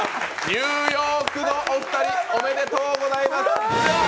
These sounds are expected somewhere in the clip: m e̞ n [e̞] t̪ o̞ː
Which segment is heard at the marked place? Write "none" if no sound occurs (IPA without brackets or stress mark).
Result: e̞